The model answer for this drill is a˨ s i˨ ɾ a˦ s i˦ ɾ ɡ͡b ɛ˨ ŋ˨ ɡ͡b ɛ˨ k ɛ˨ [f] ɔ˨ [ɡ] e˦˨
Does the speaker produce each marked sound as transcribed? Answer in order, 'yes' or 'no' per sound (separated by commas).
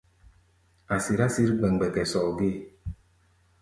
no, yes